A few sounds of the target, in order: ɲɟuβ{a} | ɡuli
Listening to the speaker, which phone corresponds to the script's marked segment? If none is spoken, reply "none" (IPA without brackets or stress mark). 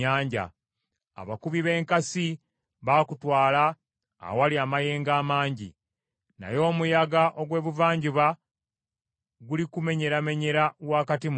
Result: a